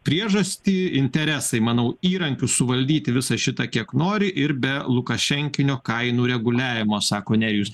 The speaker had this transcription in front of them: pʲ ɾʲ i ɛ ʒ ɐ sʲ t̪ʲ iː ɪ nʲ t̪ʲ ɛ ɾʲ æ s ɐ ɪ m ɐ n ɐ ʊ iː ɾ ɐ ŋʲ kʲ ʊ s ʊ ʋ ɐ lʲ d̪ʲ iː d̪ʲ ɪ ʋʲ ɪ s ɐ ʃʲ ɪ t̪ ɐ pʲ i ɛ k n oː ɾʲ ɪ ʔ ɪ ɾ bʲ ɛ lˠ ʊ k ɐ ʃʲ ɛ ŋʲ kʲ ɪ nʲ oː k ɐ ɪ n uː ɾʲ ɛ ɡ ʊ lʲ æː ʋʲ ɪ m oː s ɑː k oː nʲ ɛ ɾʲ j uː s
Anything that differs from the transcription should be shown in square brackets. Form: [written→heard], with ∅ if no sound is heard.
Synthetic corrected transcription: pʲ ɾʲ i ɛ ʒ ɐ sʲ t̪ʲ iː ɪ nʲ t̪ʲ ɛ ɾʲ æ s ɐ ɪ m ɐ n ɐ ʊ iː ɾ ɐ ŋʲ kʲ ʊ s ʊ ʋ ɐ lʲ d̪ʲ iː [d̪ʲ→t̪ʲ] ɪ ʋʲ ɪ s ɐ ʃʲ ɪ t̪ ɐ [pʲ→kʲ] i ɛ k n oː ɾʲ ɪ ʔ ɪ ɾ bʲ ɛ lˠ ʊ k ɐ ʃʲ ɛ ŋʲ kʲ ɪ nʲ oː k ɐ ɪ n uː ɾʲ ɛ ɡ ʊ lʲ æː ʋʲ ɪ m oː s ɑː k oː nʲ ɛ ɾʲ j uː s